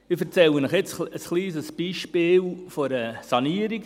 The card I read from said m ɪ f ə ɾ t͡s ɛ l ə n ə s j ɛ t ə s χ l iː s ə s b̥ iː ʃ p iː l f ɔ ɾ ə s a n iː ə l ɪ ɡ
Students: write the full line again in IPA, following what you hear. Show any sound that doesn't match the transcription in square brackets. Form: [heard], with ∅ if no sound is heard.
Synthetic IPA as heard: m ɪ f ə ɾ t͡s ɛ l ə n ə [χ] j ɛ [t͡s] ə s χ l iː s ə s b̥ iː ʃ p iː l f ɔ ɾ ə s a n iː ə [ɾ] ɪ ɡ